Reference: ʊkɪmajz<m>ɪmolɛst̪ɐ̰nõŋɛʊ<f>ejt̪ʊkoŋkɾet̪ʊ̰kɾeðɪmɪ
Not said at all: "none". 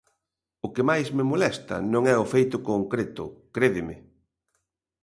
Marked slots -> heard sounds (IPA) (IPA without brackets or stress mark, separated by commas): m, f